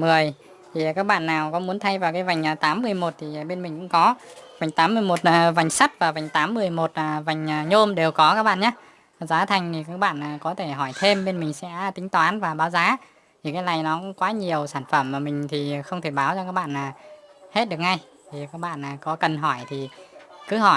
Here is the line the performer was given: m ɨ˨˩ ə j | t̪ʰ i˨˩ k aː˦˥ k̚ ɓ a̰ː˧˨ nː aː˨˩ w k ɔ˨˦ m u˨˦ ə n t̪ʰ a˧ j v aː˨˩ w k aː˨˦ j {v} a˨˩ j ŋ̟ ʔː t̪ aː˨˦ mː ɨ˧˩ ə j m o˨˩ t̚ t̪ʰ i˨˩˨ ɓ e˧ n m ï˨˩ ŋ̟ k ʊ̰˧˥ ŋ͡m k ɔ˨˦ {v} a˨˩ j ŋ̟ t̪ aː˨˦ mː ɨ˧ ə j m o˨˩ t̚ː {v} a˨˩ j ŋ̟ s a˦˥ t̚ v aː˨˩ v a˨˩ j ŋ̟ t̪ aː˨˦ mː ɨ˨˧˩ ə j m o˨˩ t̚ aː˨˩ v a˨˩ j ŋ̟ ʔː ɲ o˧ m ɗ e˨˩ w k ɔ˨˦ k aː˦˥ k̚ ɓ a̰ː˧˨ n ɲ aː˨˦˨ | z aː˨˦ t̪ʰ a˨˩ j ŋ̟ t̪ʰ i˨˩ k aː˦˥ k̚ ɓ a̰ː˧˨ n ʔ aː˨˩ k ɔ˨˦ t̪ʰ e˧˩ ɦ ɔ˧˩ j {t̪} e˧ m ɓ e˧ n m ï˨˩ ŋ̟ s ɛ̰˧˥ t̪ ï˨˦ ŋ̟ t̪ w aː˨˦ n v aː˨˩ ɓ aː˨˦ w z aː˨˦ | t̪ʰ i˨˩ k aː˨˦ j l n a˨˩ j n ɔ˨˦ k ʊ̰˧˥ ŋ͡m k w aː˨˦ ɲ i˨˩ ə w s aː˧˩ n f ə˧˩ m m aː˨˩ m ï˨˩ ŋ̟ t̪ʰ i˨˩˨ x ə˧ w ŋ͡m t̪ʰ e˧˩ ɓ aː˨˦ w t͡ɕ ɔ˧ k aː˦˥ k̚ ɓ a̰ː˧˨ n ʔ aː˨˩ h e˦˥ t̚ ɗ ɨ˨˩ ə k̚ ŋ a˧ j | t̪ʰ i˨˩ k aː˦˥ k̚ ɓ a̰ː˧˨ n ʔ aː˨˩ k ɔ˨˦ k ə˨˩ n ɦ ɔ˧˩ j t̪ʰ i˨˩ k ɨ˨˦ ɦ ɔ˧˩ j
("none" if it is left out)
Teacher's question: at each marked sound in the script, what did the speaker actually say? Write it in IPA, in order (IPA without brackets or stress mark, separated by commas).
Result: v, v, v, t̪ʰ